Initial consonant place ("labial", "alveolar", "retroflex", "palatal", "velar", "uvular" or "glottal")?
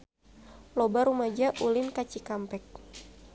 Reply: alveolar